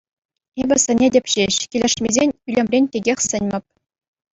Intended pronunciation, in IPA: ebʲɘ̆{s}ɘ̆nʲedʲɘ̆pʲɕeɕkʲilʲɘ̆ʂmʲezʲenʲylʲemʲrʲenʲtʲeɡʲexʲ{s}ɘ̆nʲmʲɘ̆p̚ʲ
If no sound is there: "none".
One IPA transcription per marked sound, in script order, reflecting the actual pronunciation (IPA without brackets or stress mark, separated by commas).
s, s